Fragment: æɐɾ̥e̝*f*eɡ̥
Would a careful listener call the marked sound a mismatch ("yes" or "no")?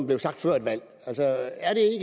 yes